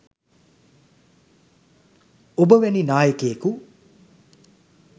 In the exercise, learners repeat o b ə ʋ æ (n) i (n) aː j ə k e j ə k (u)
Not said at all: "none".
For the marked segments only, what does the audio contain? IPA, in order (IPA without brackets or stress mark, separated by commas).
n, n, u